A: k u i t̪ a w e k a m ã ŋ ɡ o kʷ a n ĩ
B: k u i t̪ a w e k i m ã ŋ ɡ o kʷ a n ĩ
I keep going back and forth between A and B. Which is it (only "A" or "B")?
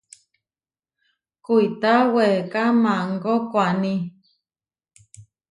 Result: A